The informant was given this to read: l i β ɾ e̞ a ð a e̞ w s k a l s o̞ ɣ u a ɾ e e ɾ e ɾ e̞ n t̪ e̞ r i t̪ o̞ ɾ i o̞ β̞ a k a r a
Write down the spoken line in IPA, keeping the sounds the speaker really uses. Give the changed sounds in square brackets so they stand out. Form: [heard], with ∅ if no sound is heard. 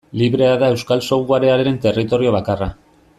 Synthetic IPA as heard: l i β ɾ e̞ a ð a e̞ w s k a l s o̞ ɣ u a ɾ e [a] ɾ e ɾ e̞ n t̪ e̞ r i t̪ o̞ ɾ i o̞ β̞ a k a r a